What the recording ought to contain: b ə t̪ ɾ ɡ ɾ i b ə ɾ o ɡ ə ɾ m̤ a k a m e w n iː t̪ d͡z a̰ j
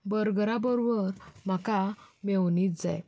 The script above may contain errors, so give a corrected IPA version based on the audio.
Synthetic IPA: b ə ɾ ɡ ɾ a b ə ɾ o b ə ɾ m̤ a k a m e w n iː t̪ d͡z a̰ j